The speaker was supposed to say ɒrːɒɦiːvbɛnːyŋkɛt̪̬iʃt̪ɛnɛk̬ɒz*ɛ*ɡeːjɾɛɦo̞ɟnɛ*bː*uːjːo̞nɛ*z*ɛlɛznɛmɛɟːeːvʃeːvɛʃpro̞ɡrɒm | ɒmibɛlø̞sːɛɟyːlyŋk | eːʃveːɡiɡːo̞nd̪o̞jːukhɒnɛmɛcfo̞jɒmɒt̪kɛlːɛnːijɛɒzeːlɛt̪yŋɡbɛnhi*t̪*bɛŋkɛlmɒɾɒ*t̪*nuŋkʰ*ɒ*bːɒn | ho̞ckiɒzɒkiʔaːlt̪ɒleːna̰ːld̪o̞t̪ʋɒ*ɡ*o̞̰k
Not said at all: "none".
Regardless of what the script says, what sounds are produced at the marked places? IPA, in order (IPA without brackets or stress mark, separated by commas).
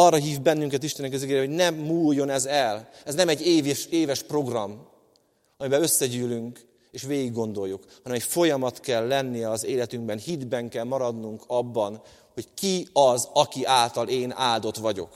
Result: i, mː, z, d̪, d̪, ɒ, ɟ